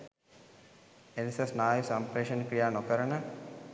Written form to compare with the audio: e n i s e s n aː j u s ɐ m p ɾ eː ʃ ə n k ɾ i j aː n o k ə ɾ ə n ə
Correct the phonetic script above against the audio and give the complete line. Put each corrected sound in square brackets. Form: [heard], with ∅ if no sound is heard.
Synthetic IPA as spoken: e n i s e s n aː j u s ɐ m p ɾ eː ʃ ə n k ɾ i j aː n o k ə ɾ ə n ə